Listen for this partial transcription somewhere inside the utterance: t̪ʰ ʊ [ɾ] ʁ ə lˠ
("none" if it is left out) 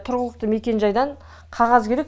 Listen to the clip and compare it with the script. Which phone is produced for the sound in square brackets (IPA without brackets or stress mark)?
ɾ